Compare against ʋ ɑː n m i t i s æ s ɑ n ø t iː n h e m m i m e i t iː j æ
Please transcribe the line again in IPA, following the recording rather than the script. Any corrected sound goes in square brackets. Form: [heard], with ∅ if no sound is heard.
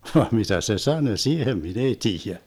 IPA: ʋ ɑː [m] m i t [æ] s [e] s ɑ n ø [s] iː [∅] h e m m i [n] e i t iː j æ